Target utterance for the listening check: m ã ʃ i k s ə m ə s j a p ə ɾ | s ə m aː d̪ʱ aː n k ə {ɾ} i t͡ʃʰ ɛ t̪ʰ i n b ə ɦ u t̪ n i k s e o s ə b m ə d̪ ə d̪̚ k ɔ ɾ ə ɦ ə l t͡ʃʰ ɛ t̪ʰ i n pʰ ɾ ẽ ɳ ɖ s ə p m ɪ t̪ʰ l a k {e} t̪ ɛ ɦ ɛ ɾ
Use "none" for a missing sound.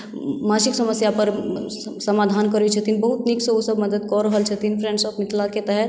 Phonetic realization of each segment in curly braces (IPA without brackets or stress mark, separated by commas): ɾ, e